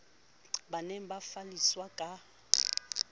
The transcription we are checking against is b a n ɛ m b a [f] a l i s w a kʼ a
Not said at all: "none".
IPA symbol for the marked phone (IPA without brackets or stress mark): f